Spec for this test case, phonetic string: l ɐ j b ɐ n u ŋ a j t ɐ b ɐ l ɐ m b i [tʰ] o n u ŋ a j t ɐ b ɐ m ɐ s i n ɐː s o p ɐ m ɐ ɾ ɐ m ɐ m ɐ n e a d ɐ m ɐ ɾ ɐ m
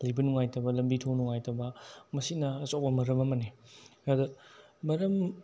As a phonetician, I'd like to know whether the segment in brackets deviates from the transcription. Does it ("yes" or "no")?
no